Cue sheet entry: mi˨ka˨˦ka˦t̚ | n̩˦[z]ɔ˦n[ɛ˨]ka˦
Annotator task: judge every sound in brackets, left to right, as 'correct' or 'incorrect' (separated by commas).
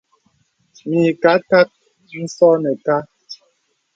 incorrect, correct